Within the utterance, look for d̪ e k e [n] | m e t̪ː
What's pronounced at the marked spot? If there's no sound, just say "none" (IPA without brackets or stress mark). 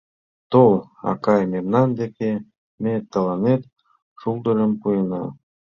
none